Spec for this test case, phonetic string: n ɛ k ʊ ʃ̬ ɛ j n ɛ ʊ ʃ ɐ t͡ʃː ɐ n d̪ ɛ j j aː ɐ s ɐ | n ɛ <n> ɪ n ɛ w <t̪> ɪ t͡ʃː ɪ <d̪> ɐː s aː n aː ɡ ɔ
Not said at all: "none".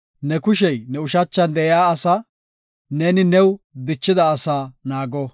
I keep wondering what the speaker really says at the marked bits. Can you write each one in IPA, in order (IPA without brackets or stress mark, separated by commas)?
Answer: n, d̪, d̪